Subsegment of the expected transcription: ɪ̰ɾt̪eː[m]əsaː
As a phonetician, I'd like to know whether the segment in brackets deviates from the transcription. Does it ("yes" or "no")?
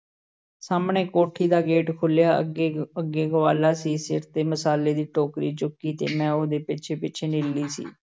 no